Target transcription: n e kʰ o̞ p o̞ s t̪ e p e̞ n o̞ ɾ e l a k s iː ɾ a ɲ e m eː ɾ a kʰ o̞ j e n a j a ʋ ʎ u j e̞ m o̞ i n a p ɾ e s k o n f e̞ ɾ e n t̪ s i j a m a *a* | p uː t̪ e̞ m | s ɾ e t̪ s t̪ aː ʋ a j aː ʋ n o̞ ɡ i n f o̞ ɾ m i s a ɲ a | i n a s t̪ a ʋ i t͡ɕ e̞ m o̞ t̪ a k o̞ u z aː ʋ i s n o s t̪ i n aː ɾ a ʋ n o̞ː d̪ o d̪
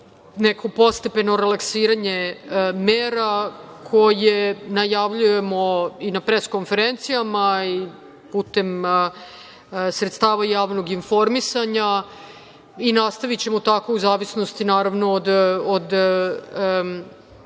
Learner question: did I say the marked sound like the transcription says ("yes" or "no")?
no